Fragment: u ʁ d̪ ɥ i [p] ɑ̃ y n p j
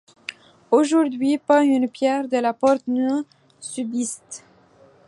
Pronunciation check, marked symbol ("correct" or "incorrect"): correct